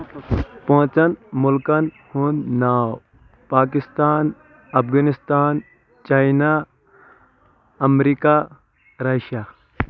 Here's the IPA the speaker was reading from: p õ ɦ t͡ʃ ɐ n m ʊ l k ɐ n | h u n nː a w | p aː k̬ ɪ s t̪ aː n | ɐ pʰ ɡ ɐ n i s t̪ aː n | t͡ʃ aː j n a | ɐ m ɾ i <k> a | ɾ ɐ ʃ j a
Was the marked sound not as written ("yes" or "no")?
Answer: no